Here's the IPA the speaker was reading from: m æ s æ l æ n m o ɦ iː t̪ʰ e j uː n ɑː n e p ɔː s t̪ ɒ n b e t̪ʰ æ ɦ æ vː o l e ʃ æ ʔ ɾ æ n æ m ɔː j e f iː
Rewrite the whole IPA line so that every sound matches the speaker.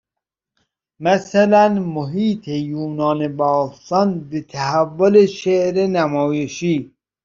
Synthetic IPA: m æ s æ l æ n m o ɦ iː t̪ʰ e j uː n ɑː n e b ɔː s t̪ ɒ n b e t̪ʰ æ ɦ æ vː o l e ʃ e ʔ ɾ e n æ m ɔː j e ʃ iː